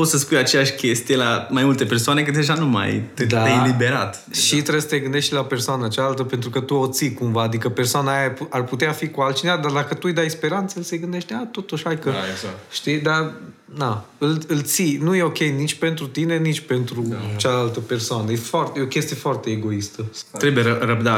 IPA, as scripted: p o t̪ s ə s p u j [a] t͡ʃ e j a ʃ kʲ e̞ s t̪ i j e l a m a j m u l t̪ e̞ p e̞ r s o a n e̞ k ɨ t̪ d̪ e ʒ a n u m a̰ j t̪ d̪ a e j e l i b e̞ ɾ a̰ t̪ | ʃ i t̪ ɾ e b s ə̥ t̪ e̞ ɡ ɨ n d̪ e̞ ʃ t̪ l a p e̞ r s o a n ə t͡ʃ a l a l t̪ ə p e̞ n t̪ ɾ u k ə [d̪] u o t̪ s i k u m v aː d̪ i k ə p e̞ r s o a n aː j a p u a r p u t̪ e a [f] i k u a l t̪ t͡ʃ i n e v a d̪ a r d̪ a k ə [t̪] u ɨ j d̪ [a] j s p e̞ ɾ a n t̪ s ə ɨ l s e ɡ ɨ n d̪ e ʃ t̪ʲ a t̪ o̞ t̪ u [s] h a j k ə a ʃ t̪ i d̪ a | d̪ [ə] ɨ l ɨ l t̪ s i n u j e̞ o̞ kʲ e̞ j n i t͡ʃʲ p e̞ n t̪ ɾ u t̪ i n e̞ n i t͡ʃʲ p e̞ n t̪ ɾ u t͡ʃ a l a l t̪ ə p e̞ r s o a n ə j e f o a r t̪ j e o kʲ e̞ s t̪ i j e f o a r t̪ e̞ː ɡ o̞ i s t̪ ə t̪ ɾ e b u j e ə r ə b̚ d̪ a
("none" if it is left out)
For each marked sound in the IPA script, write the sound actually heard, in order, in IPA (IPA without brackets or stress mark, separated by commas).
a, t̪, f, t̪, a, ʃ, a